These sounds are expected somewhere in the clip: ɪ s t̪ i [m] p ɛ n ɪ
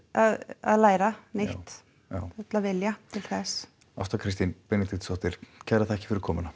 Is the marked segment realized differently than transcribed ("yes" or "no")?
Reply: yes